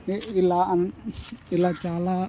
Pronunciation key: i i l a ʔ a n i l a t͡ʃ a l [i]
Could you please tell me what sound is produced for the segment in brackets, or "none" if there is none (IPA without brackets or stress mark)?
a